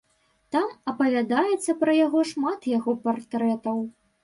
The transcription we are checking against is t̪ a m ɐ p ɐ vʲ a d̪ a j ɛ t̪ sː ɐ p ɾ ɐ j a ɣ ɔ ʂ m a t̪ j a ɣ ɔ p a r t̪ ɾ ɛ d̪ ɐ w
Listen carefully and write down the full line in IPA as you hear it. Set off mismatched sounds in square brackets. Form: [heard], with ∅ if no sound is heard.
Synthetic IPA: t̪ a m ɐ p ɐ vʲ a d̪ a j ɛ t̪ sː ɐ p ɾ ɐ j a ɣ ɔ ʂ m a t̪ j a ɣ ɔ p a r t̪ ɾ ɛ [t̪] ɐ w